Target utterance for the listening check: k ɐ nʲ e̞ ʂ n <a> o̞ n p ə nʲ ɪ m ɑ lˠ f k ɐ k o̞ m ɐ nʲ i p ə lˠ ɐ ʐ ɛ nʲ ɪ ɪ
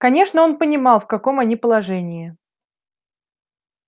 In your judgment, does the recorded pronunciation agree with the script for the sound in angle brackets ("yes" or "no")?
no